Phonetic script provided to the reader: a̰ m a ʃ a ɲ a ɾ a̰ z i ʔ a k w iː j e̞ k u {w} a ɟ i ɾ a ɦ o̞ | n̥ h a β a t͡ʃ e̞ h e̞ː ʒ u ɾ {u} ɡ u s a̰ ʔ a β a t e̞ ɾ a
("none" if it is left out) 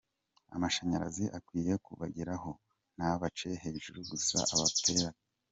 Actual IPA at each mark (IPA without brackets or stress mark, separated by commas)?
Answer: β, u